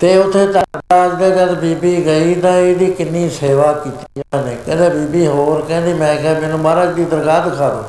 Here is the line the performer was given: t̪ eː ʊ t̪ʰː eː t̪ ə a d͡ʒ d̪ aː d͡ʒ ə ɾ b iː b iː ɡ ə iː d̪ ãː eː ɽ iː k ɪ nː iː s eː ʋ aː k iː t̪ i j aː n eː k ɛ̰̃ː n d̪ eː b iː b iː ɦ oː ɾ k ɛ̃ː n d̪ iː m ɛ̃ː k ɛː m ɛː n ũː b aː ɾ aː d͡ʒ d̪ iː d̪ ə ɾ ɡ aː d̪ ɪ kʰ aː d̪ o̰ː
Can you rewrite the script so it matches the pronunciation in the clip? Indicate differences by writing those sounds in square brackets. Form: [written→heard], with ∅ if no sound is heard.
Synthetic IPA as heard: t̪ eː ʊ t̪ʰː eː t̪ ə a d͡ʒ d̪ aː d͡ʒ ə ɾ b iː b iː ɡ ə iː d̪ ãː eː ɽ iː k ɪ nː iː s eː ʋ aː k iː t̪ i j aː n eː k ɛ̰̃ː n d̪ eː b iː b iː ɦ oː ɾ k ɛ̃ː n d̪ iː m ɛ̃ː k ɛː m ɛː n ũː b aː ɾ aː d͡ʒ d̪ iː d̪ ə ɾ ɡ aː d̪ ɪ kʰ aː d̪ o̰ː